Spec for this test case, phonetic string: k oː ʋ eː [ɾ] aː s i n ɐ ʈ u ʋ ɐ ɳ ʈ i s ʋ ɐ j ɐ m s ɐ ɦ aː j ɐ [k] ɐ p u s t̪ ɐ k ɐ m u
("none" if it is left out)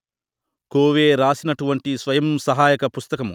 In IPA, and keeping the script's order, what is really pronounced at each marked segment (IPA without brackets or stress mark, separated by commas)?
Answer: ɾ, k